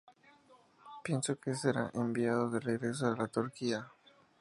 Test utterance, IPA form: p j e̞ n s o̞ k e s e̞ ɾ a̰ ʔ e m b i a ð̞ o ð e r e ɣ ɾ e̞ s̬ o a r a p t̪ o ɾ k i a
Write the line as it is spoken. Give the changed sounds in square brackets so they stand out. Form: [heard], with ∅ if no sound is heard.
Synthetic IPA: p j e̞ n s o̞ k e s e̞ ɾ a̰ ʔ e m b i a ð̞ o ð e r e ɣ ɾ e̞ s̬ o a [l] a [∅] t̪ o ɾ k i a